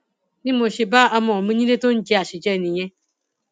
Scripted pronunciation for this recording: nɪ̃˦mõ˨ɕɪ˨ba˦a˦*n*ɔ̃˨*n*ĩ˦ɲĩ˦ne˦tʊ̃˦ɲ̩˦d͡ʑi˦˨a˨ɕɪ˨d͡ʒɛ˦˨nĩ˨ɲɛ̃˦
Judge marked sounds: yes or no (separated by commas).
no, no